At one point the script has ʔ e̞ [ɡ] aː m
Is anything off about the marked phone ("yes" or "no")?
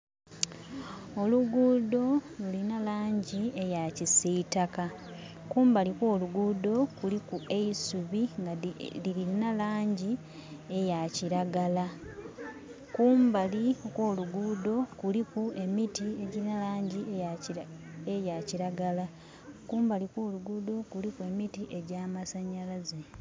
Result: yes